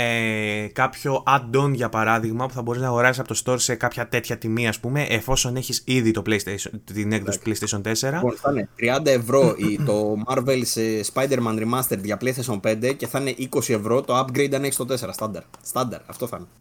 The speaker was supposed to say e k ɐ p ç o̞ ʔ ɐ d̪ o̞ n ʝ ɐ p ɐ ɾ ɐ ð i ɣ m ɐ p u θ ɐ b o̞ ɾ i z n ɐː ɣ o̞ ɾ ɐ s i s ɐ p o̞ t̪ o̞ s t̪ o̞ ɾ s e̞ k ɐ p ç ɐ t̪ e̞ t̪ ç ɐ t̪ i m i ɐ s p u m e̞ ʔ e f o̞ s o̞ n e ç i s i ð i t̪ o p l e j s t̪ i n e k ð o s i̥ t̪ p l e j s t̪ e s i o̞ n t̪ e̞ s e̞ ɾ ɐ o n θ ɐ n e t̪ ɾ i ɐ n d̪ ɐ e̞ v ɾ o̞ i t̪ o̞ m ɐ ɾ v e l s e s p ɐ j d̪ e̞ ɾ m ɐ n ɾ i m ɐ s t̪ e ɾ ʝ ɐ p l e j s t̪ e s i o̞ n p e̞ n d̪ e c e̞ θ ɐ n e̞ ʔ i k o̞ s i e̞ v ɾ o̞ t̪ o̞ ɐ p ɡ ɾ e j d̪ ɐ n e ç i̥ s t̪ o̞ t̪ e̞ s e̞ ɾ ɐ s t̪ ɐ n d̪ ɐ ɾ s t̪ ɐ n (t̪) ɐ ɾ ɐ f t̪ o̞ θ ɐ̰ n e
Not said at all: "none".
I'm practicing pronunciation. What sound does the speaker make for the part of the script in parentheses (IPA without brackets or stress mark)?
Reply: d̪